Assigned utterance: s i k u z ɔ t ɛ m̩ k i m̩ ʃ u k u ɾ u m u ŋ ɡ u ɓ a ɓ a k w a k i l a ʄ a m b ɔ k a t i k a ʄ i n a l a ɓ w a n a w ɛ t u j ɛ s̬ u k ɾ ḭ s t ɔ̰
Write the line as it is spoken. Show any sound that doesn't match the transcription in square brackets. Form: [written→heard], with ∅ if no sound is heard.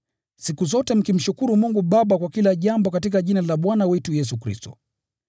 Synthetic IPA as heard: s i k u z ɔ t ɛ m̩ k i m̩ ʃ u k u ɾ u m u ŋ ɡ u ɓ a ɓ a k w a k i l a ʄ a m b ɔ k a t i k a ʄ i n a l a ɓ w a n a w ɛ t u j ɛ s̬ u k ɾ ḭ s t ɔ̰